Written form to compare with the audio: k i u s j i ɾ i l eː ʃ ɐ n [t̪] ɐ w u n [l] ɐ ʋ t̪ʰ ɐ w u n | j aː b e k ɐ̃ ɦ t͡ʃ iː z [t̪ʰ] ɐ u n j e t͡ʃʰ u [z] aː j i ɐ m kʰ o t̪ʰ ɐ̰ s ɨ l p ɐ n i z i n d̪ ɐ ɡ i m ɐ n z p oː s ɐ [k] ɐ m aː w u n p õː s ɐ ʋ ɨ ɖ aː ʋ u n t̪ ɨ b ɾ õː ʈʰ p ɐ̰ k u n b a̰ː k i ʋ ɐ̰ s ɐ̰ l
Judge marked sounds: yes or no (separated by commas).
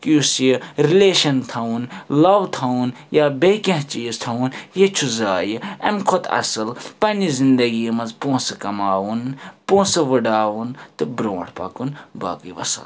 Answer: no, yes, yes, yes, yes